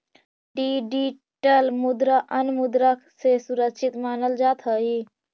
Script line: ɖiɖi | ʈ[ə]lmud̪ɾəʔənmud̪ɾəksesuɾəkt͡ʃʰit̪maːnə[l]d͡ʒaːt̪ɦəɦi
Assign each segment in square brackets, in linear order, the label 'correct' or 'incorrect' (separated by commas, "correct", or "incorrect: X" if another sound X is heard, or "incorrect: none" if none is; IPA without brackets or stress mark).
correct, correct